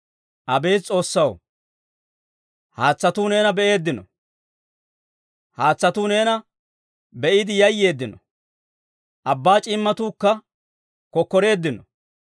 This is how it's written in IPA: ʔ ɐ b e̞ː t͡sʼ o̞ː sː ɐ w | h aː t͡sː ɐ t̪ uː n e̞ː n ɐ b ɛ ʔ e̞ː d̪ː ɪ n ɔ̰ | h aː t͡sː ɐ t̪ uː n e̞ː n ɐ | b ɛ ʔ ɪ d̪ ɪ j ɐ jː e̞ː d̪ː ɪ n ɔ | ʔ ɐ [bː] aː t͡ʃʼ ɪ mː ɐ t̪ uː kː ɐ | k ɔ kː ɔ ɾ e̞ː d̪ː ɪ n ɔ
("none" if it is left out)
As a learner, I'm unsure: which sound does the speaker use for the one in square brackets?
bː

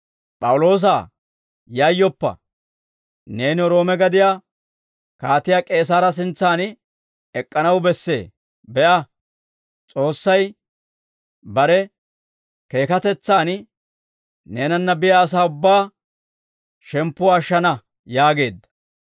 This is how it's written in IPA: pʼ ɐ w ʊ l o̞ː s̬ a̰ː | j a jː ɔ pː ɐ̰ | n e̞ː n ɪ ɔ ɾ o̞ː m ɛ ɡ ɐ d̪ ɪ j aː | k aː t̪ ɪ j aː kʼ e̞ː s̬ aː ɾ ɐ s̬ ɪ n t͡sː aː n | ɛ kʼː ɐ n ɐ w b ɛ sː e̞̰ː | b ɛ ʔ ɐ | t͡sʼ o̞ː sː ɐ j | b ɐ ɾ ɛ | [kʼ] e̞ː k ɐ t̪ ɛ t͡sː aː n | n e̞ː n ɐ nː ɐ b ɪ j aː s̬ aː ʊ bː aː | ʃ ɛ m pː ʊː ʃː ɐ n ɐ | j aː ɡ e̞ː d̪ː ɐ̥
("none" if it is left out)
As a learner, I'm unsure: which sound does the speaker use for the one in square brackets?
k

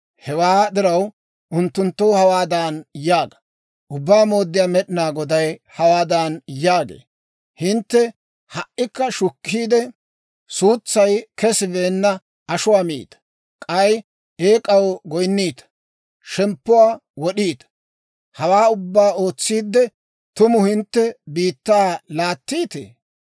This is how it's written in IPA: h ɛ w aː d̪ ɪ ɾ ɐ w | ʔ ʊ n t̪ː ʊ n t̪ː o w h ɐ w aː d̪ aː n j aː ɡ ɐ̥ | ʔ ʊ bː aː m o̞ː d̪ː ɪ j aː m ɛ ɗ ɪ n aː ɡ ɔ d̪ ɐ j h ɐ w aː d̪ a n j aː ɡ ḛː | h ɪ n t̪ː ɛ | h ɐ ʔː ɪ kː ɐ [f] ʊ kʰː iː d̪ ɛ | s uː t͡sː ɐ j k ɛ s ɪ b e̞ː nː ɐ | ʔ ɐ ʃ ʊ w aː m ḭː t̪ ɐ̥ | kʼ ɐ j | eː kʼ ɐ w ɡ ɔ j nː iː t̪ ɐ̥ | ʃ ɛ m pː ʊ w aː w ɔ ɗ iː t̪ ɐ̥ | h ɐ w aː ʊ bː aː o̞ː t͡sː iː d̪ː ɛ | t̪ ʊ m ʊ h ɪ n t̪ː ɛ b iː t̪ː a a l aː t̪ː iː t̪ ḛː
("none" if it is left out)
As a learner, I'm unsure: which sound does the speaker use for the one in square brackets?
ʃ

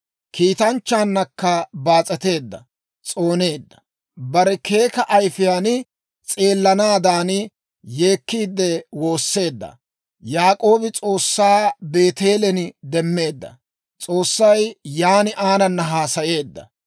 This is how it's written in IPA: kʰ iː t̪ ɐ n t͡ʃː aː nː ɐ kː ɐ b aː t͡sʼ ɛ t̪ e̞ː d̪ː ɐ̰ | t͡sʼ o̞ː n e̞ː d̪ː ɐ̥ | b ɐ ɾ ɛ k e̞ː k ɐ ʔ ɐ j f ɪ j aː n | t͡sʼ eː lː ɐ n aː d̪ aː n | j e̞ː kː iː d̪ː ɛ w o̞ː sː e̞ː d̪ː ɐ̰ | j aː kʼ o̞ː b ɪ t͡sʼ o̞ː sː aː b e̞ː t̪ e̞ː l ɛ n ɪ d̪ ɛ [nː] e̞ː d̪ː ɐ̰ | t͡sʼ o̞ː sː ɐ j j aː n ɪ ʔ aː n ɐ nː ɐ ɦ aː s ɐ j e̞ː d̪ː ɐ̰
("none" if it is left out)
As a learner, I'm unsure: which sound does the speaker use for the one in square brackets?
mː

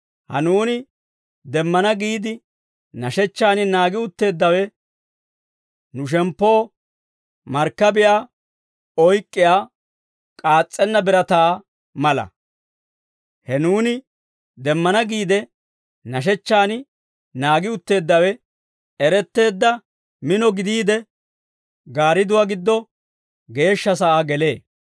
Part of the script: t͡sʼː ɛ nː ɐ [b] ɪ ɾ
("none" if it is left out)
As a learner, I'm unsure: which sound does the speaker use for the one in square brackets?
b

